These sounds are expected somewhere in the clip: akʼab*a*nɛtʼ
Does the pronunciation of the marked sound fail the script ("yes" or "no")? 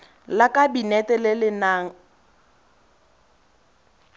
yes